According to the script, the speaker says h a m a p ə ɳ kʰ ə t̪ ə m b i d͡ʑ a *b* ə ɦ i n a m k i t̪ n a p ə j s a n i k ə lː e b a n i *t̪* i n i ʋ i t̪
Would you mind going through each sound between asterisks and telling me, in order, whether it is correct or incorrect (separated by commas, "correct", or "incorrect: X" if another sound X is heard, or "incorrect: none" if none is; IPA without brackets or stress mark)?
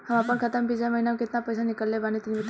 incorrect: m, correct